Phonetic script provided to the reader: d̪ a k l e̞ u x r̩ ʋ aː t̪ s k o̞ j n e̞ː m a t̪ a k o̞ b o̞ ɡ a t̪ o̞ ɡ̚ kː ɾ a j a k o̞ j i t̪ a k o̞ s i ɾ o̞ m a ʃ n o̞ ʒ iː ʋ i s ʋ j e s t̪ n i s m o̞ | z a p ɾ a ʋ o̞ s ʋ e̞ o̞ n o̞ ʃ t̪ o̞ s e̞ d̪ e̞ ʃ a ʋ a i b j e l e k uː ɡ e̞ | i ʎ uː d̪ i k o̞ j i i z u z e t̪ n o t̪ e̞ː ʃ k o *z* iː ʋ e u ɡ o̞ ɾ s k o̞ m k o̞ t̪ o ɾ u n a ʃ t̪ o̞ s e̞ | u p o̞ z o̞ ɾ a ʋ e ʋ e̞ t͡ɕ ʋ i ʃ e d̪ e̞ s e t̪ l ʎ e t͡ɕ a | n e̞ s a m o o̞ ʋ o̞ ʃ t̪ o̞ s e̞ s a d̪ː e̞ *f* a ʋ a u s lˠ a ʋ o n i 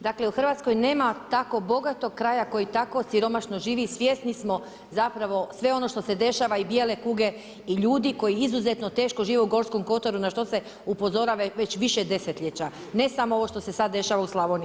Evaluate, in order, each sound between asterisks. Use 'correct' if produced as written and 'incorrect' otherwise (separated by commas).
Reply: incorrect, incorrect